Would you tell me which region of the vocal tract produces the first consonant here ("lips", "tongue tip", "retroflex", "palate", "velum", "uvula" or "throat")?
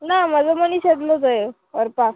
tongue tip